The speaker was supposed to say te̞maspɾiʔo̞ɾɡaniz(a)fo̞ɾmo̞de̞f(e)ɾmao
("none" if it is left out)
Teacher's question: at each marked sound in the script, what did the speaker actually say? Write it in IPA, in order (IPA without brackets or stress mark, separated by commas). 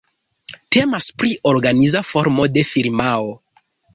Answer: a, i